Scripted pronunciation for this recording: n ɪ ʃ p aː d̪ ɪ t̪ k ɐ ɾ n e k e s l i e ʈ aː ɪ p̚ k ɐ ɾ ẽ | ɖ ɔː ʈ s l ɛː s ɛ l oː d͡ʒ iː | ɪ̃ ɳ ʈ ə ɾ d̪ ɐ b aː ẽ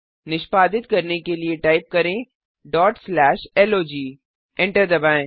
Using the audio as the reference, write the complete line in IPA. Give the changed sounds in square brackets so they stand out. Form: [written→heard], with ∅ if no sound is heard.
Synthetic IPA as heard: n ɪ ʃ p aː d̪ ɪ t̪ k ɐ ɾ n e k e [s→∅] l i e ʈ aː ɪ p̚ k ɐ ɾ ẽ | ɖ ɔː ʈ s l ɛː [s→ʃ] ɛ l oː d͡ʒ iː | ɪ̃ ɳ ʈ ə ɾ d̪ ɐ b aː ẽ